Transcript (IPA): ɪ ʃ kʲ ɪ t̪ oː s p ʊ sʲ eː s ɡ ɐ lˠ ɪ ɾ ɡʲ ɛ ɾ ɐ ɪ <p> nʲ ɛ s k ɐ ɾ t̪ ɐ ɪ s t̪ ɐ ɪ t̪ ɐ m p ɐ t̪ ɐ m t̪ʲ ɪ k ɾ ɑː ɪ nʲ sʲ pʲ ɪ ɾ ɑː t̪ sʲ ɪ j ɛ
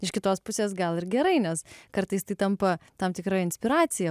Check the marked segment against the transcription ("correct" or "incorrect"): incorrect